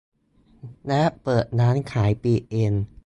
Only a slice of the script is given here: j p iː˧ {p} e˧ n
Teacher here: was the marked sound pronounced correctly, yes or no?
no